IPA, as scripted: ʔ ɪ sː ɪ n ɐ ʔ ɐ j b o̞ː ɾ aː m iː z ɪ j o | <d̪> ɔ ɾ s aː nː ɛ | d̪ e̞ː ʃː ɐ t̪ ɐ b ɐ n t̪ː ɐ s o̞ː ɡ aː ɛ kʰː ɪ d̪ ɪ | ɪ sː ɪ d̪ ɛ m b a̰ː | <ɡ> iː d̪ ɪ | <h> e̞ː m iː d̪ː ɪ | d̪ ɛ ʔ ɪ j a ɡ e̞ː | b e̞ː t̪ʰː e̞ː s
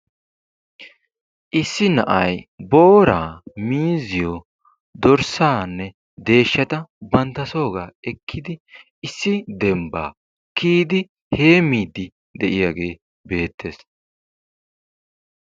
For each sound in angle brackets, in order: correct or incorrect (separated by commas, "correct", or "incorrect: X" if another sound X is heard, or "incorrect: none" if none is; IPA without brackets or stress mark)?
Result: correct, incorrect: k, correct